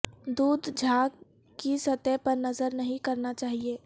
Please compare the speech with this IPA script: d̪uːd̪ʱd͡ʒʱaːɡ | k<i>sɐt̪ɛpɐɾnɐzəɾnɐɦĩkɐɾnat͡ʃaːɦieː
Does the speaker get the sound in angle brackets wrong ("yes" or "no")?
no